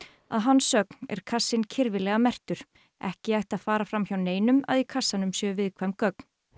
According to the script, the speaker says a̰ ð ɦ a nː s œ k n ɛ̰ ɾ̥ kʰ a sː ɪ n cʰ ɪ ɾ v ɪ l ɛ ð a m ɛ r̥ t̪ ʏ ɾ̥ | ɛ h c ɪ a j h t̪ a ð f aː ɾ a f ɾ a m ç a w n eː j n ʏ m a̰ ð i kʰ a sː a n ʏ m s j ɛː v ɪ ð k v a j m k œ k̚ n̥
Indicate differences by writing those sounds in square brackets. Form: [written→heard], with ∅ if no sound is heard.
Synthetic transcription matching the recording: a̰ ð ɦ a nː s œ k n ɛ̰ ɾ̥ kʰ a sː ɪ n cʰ ɪ ɾ v ɪ l ɛ [ð→ɣ] a m ɛ r̥ t̪ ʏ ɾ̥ | ɛ h c ɪ a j h t̪ a ð f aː ɾ a f ɾ a m ç a w n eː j n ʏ m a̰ ð i kʰ a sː a n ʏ m s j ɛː v ɪ ð [k→kʰ] v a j m k œ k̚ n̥